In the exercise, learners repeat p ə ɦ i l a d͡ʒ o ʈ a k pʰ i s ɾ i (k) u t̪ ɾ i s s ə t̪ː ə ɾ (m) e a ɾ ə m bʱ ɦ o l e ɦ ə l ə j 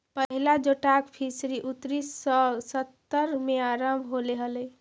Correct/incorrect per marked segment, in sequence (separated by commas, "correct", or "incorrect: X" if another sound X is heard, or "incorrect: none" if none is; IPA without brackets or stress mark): incorrect: ʔ, correct